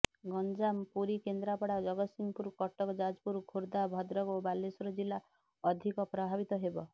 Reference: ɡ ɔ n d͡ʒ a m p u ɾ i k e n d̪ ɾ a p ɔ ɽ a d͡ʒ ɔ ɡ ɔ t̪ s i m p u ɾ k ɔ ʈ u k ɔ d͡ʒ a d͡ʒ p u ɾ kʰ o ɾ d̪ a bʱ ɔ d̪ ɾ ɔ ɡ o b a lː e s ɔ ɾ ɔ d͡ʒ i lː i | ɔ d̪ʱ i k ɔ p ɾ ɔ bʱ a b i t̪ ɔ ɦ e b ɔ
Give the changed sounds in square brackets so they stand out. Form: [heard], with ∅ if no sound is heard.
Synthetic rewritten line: ɡ ɔ n d͡ʒ a m p u ɾ i k e n d̪ ɾ a p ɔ ɽ a d͡ʒ ɔ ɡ ɔ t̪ s i m p u ɾ k ɔ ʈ [ɔ] k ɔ d͡ʒ a d͡ʒ p u ɾ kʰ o ɾ d̪ a bʱ ɔ d̪ ɾ ɔ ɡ o b a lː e s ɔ ɾ ɔ d͡ʒ i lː [a] | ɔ d̪ʱ i k ɔ p ɾ ɔ bʱ a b i t̪ ɔ ɦ e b ɔ

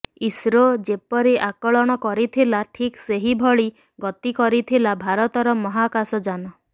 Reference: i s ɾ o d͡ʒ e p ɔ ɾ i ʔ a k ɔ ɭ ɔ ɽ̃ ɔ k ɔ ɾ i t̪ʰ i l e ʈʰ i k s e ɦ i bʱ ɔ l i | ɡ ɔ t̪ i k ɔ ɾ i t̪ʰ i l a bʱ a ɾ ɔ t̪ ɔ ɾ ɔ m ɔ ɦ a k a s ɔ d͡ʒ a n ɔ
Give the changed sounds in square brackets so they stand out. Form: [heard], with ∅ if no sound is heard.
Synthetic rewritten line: i s ɾ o d͡ʒ e p ɔ ɾ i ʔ a k ɔ ɭ ɔ ɽ̃ ɔ k ɔ ɾ i t̪ʰ i l [a] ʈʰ i k s e ɦ i bʱ ɔ [ɭ] i | ɡ ɔ t̪ i k ɔ ɾ i t̪ʰ i l a bʱ a ɾ ɔ t̪ ɔ ɾ ɔ m ɔ ɦ a k a s ɔ d͡ʒ a n ɔ

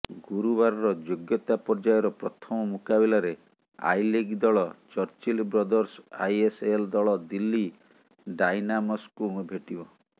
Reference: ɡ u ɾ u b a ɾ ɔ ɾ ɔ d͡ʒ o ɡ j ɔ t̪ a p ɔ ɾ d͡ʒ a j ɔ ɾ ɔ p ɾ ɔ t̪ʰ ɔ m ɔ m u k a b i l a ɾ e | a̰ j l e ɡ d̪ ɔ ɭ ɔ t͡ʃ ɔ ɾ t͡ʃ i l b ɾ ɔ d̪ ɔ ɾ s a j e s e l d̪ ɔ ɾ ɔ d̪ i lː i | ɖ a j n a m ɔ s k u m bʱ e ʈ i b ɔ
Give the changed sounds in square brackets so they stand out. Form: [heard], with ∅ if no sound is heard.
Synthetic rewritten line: ɡ u ɾ u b a ɾ ɔ ɾ ɔ d͡ʒ o ɡ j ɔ t̪ a p ɔ ɾ d͡ʒ a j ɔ ɾ ɔ p ɾ ɔ t̪ʰ ɔ m ɔ m u k a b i l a ɾ e | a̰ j l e ɡ d̪ ɔ ɭ ɔ t͡ʃ ɔ ɾ t͡ʃ i l b ɾ ɔ d̪ ɔ ɾ s a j e s e l d̪ ɔ [ɭ] ɔ d̪ i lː i | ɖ a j n a m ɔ s k u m bʱ e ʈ i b ɔ

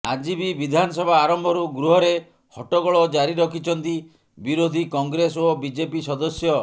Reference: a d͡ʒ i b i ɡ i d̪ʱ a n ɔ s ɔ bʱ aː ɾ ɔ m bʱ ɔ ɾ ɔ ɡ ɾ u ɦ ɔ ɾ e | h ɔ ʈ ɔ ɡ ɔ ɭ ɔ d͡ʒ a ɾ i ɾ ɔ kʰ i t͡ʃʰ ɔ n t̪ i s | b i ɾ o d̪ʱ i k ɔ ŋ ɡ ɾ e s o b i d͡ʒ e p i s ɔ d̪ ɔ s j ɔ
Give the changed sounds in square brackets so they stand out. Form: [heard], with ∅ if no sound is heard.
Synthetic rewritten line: a d͡ʒ i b i [b] i d̪ʱ a n ɔ s ɔ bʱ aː ɾ ɔ m bʱ ɔ ɾ [u] ɡ ɾ u ɦ ɔ ɾ e | h ɔ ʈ ɔ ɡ ɔ ɭ ɔ d͡ʒ a ɾ i ɾ ɔ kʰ i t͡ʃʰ ɔ n t̪ i [∅] | b i ɾ o d̪ʱ i k ɔ ŋ ɡ ɾ e s o b i d͡ʒ e p i s ɔ d̪ ɔ s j ɔ

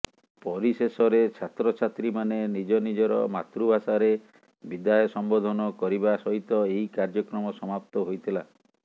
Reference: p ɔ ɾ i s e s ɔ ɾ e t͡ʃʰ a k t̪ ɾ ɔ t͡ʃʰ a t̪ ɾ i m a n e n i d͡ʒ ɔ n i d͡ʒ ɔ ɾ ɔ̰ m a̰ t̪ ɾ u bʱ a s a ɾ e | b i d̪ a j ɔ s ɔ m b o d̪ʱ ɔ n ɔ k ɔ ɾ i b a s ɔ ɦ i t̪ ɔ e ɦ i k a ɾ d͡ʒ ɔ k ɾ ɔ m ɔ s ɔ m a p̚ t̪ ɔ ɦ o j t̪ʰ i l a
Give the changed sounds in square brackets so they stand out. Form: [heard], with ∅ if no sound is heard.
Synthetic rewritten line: p ɔ ɾ i s e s ɔ ɾ e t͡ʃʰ a [∅] t̪ ɾ ɔ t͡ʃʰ a t̪ ɾ i m a n e n i d͡ʒ ɔ n i d͡ʒ ɔ ɾ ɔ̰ m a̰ t̪ ɾ u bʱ a s a ɾ e | b i d̪ a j ɔ s ɔ m b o d̪ʱ ɔ n ɔ k ɔ ɾ i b a s ɔ ɦ i t̪ ɔ e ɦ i k a ɾ d͡ʒ ɔ k ɾ ɔ m ɔ s ɔ m a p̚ t̪ ɔ ɦ o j t̪ʰ i l a

